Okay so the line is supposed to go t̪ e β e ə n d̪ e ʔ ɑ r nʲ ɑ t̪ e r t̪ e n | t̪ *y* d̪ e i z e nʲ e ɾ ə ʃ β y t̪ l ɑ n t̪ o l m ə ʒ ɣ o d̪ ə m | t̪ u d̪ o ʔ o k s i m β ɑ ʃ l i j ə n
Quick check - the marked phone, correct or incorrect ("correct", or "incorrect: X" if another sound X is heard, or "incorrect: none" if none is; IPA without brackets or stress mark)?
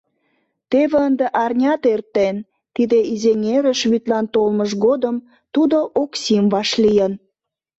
incorrect: i